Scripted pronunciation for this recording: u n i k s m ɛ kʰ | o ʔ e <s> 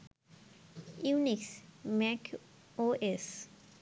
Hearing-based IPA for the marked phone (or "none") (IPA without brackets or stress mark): s